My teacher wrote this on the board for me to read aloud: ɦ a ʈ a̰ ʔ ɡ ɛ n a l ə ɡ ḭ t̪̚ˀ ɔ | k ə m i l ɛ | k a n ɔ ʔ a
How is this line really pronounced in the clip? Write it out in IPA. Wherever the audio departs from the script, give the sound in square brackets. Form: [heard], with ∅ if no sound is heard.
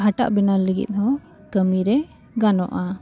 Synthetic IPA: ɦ a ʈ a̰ ʔ [b] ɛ n a l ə ɡ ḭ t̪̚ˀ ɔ | k ə m i [ɾ] ɛ | [ɡ] a n ɔ ʔ a